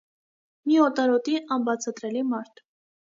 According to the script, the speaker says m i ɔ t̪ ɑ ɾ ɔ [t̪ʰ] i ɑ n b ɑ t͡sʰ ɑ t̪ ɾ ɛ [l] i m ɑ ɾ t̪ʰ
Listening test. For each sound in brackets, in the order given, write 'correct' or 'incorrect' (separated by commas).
incorrect, correct